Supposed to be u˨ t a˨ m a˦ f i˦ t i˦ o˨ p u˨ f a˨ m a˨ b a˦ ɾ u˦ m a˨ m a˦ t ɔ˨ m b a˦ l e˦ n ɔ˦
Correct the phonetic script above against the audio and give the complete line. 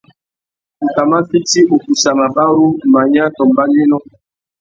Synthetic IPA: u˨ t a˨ m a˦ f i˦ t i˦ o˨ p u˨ s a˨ m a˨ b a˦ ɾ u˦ m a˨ ɲ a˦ t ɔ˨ m b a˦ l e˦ n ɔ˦